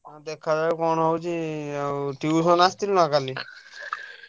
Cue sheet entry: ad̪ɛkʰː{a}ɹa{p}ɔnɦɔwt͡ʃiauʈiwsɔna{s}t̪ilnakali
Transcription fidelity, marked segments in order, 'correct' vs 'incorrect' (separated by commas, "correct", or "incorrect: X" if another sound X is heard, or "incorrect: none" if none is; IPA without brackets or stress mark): correct, incorrect: k, correct